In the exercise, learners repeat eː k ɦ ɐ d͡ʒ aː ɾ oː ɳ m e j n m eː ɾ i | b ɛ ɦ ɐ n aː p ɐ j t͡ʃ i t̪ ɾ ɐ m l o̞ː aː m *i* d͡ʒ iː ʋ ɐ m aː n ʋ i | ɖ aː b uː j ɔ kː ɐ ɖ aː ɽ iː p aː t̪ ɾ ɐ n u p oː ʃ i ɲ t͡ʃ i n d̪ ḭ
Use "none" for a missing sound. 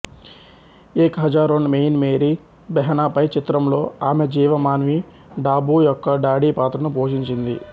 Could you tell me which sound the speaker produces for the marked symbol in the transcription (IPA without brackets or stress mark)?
e